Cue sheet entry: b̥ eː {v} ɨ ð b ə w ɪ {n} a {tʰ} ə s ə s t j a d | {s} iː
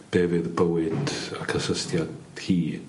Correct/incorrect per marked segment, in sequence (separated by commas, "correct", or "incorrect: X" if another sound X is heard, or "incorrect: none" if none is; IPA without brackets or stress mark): correct, incorrect: d, incorrect: kʰ, incorrect: h